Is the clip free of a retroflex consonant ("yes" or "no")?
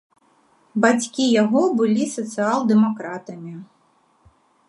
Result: yes